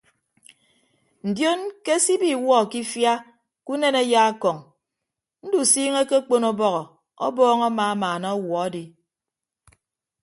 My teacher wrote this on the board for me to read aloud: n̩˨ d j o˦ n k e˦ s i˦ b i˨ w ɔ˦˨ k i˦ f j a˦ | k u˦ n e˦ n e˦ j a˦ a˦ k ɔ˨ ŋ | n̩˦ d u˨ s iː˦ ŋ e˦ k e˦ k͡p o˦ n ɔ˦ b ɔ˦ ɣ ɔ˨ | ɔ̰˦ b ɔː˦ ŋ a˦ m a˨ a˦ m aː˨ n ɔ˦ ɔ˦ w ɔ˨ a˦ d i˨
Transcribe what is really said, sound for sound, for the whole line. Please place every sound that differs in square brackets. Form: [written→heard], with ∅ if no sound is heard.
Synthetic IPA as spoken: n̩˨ d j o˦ n k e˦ s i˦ b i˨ w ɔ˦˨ k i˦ f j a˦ | k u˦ n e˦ n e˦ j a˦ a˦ k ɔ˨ ŋ | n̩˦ d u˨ s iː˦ ŋ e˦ k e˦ k͡p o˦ n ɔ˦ b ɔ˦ ɣ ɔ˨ | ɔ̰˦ b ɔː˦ ŋ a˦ m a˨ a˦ m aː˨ n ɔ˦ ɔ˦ w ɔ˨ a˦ d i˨